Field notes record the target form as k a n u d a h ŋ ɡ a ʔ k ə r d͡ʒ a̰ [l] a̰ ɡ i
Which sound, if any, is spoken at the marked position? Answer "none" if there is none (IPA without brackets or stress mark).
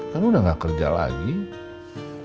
l